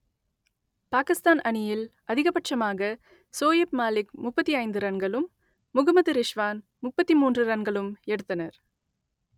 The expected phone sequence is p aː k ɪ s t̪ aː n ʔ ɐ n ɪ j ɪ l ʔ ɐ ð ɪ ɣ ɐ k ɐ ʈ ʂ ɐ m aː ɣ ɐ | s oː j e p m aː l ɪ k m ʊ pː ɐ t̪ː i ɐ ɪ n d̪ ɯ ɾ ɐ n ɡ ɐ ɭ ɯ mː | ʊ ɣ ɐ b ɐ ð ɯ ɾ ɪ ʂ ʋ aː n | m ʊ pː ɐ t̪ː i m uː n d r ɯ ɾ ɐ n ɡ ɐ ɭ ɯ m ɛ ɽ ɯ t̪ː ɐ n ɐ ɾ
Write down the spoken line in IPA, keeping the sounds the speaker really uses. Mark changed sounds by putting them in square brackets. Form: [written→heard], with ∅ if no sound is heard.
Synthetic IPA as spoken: p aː k ɪ s t̪ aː n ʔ ɐ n ɪ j ɪ l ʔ ɐ ð ɪ ɣ ɐ [k→p] ɐ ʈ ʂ ɐ m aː ɣ ɐ | s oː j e p m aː l ɪ k m ʊ pː ɐ t̪ː i ɐ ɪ n d̪ ɯ ɾ ɐ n ɡ ɐ ɭ ɯ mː | ʊ ɣ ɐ [b→m] ɐ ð ɯ ɾ ɪ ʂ ʋ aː n | m ʊ pː ɐ t̪ː i m uː n d r ɯ ɾ ɐ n ɡ ɐ ɭ ɯ m ɛ ɽ ɯ t̪ː ɐ n ɐ ɾ